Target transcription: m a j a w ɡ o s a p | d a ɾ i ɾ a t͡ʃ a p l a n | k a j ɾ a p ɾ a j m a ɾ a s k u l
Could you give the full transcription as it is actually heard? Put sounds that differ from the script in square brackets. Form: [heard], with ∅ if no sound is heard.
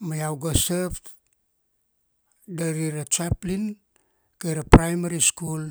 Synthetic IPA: m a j a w ɡ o s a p | d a ɾ i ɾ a t͡ʃ a p l [i] n | k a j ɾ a p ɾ a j m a ɾ [i] s k u l

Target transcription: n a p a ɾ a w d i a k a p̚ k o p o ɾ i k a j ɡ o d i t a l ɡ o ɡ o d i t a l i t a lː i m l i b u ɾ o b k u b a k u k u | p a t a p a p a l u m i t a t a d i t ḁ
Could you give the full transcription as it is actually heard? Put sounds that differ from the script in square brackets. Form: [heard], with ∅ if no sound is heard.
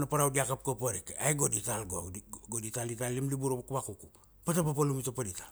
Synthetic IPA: n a p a ɾ a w d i a k a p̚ k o p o ɾ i k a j ɡ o d i t a l ɡ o ɡ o d i t a l i t a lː i m l i b u ɾ o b k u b a k u k u | p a t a p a p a l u m i t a [p] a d i t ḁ

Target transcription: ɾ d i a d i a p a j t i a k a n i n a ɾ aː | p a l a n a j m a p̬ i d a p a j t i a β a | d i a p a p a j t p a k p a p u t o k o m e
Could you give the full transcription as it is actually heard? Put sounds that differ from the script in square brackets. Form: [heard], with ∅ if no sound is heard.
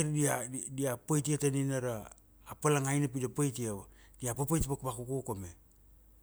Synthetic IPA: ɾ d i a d i a p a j t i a [t] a n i n a ɾ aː | p a l a [ŋ] a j [n] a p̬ i d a p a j t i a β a | d i a p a p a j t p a k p a [k] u [k] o k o m e

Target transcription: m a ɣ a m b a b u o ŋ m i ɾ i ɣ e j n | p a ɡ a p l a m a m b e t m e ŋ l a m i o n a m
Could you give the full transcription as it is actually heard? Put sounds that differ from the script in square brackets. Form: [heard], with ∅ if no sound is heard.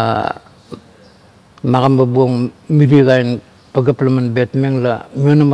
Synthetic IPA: m a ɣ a m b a b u o ŋ m i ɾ i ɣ [a] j n | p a ɡ a p l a m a [n] b e t m e ŋ l a m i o n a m

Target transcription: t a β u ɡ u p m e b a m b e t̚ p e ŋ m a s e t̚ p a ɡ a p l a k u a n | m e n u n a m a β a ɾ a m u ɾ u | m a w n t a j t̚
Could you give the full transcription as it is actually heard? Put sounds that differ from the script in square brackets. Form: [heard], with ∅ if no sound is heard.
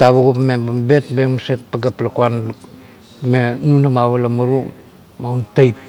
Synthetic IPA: t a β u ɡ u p m e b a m b e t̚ [b] e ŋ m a s e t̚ p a ɡ a p l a k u a n | m e n u n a m a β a [l] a m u ɾ u | m a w n t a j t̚

